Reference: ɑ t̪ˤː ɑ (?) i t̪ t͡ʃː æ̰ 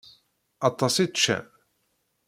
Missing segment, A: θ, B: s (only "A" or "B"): B